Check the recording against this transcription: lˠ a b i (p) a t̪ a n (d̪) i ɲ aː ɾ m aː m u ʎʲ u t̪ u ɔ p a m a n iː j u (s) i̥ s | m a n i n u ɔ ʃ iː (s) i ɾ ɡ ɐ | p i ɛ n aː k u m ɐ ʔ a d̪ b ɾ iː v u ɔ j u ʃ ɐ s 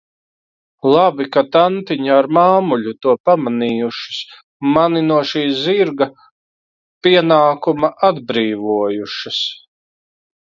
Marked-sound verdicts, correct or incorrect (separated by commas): incorrect, incorrect, incorrect, incorrect